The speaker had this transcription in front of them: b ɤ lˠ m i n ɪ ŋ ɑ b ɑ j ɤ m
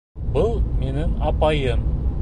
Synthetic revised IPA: b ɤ lˠ m e n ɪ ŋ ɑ p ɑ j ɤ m